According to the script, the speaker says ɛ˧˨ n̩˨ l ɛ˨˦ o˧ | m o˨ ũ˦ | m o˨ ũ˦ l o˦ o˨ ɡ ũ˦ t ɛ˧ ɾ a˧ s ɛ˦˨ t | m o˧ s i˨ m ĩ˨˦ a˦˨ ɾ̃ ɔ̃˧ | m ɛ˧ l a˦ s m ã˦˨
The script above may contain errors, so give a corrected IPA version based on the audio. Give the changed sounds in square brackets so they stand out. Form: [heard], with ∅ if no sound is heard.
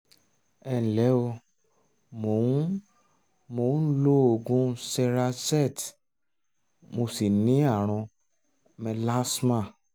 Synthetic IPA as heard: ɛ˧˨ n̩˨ l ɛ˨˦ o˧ | m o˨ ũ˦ | m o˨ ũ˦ l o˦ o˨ ɡ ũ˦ [s] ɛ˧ ɾ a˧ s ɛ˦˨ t | m o˧ s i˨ [n] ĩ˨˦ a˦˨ ɾ̃ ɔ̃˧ | m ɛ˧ l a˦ s m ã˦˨